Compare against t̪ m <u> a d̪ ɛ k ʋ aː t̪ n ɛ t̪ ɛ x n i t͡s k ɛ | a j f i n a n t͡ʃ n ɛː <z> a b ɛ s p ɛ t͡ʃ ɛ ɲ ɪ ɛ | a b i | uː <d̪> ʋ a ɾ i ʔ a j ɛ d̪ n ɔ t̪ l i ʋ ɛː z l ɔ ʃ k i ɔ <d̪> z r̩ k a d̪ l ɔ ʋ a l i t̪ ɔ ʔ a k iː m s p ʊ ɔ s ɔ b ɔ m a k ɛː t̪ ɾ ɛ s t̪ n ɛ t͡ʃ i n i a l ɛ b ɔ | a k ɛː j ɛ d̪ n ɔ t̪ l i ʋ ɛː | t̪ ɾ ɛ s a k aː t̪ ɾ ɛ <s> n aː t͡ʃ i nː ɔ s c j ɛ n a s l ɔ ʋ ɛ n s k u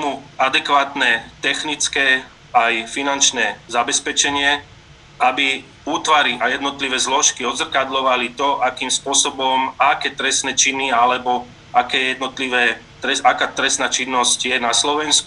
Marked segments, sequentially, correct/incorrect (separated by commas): correct, correct, incorrect, correct, correct